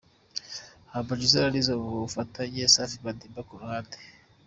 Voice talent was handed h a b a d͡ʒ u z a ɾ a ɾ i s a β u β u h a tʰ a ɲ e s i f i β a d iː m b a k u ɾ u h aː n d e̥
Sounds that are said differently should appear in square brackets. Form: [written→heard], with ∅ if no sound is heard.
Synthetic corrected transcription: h a b a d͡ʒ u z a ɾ a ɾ i [s→z] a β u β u [h→f] a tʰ a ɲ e s [i→a] f i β a d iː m b a k u ɾ u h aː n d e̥